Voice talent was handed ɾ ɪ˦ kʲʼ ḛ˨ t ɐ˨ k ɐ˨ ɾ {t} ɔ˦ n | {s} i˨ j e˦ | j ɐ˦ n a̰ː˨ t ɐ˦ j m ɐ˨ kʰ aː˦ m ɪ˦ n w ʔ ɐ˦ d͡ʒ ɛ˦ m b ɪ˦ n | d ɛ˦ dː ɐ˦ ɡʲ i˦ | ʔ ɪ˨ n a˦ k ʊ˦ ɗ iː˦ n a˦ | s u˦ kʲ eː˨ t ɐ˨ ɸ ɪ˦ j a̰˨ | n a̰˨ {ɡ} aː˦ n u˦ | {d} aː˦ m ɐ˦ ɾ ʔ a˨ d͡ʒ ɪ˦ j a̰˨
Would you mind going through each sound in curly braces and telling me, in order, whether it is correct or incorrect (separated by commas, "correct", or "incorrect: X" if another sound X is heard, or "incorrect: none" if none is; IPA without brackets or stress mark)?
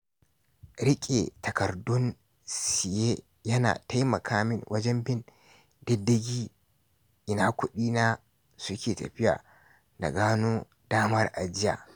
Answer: incorrect: d, correct, correct, correct